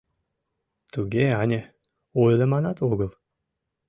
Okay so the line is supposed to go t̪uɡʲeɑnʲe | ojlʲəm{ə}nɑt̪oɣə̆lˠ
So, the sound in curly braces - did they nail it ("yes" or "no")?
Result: no